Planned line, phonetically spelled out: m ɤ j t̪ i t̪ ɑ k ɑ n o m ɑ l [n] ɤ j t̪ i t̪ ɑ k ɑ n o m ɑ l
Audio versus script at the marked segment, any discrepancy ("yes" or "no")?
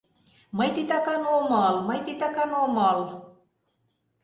yes